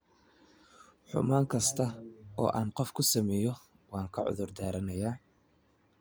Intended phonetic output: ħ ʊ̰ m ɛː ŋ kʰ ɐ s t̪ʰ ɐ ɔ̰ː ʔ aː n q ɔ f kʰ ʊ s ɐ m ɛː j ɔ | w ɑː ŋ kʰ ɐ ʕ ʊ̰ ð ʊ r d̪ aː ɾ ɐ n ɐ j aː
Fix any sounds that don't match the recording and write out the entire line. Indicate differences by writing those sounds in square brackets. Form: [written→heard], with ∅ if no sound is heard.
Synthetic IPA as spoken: ħ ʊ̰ m [ɛː→aː] ŋ kʰ ɐ s t̪ʰ ɐ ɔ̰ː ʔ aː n q ɔ f kʰ ʊ s ɐ m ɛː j ɔ | w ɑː ŋ kʰ ɐ ʕ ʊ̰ ð ʊ r d̪ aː ɾ ɐ n ɐ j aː